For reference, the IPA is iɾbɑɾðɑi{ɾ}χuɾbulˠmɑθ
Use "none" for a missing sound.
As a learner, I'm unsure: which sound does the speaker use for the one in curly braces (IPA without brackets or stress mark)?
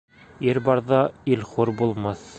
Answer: l